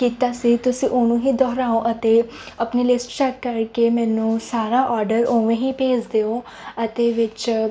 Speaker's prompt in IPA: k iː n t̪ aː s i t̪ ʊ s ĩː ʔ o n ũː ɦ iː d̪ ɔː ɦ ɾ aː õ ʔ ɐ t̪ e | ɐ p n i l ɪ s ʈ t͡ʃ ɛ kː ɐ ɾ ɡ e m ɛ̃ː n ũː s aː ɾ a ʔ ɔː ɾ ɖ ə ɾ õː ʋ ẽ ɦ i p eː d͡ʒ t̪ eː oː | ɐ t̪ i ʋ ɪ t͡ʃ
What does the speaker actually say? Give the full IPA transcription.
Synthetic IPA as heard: k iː t̪ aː s i t̪ ʊ s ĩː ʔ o n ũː ɦ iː d̪ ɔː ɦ ɾ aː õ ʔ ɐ t̪ e | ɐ p n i l ɪ s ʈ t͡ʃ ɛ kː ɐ ɾ k e m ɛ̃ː n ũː s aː ɾ a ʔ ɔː ɾ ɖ ə ɾ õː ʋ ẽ ɦ i p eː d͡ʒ d̪ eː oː | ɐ t̪ e ʋ ɪ t͡ʃ